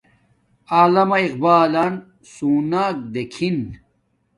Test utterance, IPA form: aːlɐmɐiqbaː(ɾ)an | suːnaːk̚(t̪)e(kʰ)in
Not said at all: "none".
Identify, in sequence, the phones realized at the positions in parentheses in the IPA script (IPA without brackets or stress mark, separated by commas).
l, d̪, kʰ